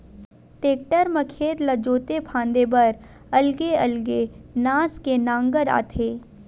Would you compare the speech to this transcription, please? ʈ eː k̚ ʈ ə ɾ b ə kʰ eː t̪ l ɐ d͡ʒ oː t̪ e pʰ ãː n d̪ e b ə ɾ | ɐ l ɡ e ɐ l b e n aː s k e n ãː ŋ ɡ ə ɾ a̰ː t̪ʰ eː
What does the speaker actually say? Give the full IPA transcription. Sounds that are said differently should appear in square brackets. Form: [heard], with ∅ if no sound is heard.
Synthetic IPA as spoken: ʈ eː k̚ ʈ ə ɾ [m] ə kʰ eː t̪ l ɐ d͡ʒ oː t̪ e pʰ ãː n d̪ e b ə ɾ | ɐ l ɡ e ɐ l [ɡ] e n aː s k e n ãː ŋ ɡ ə ɾ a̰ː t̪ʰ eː